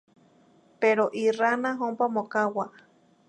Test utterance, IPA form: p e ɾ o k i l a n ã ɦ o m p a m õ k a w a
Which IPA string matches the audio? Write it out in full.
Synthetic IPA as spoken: p e ɾ o ʔ i r a n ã ɦ o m p a m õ k a w a